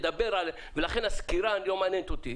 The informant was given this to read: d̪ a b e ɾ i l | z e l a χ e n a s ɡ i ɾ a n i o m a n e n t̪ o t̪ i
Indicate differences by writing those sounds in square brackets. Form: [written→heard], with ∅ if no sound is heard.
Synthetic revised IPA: d̪ a b e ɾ [i→a] l | [z→v] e l a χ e n a s [ɡ→k] i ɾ a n [i→j] o m a n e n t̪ o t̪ i